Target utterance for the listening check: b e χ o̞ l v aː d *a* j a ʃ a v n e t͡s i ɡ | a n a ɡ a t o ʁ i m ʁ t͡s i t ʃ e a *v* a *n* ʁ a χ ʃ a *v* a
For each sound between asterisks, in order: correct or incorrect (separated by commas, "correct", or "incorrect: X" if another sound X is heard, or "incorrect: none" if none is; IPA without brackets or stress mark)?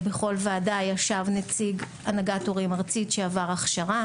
correct, correct, incorrect: none, incorrect: ʁ